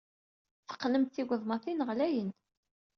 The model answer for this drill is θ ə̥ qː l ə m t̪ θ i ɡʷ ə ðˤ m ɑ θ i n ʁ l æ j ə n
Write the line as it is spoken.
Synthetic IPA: θ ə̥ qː l ə m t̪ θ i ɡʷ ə ðˤ m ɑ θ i n ʁ l æ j ə n